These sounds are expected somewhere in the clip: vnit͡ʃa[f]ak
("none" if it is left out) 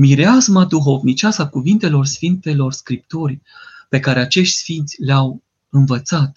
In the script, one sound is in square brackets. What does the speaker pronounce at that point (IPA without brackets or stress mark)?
s